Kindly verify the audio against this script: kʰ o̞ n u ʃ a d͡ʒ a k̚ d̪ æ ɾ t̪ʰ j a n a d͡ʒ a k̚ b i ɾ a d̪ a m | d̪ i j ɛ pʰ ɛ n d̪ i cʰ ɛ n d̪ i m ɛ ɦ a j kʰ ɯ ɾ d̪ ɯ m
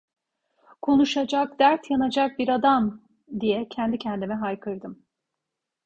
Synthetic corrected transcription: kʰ o̞ n u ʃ a d͡ʒ a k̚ d̪ æ ɾ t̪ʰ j a n a d͡ʒ a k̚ b i ɾ a d̪ a m | d̪ i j ɛ cʰ ɛ n d̪ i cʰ ɛ n d̪ i m ɛ ɦ a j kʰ ɯ ɾ d̪ ɯ m